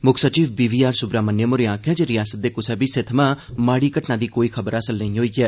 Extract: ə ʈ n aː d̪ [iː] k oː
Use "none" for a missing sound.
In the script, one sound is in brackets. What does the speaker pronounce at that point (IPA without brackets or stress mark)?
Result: iː